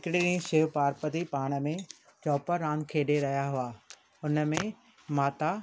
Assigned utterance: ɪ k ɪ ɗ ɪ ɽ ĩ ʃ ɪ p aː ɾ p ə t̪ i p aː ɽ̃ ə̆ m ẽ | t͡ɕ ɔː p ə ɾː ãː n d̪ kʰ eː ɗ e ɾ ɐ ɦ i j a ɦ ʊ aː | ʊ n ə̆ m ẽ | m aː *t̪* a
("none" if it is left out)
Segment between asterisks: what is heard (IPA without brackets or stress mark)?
t̪